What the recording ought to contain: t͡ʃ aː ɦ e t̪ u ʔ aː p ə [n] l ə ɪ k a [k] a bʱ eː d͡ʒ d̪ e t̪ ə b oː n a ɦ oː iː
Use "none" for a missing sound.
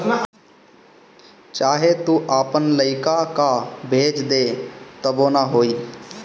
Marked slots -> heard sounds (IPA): n, k

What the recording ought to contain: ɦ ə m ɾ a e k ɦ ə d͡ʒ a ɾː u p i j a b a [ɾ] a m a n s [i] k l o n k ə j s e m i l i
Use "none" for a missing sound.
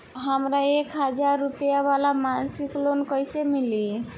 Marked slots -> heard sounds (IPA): l, i

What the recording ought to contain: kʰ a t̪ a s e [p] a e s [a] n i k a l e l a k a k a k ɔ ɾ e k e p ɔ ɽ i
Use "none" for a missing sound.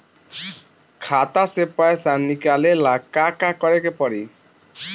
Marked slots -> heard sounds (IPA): p, a

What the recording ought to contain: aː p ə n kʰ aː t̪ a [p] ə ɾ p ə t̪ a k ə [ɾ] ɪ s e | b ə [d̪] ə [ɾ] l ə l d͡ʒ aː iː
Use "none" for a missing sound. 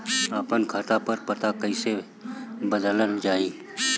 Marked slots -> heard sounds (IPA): p, none, d̪, none

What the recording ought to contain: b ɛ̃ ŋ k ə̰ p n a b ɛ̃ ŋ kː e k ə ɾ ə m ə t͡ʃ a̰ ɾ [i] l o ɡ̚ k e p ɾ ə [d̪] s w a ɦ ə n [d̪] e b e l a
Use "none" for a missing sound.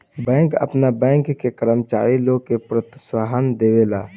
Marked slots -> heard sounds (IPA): i, t̪, d̪

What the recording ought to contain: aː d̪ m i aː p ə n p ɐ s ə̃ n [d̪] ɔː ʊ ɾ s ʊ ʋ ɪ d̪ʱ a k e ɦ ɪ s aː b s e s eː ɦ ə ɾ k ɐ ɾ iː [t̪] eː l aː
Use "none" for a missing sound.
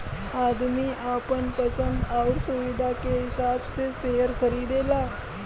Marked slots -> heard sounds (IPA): d̪, d̪

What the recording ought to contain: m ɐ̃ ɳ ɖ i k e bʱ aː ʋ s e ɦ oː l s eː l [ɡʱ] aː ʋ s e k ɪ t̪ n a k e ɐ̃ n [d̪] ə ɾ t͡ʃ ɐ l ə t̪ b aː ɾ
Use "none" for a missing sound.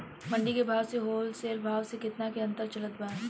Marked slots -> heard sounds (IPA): bʱ, t̪

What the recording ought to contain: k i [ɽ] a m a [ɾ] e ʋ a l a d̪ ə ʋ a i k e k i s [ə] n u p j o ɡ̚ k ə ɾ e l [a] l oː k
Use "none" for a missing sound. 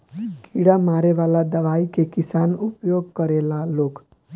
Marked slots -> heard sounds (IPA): ɽ, ɾ, a, a

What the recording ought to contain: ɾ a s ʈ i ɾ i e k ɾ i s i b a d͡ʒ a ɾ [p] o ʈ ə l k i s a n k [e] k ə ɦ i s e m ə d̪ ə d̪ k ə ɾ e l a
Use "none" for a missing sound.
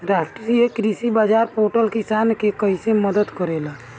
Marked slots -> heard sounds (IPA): p, e

